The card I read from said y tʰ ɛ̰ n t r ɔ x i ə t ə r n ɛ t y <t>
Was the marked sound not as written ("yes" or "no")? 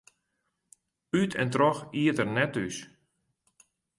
yes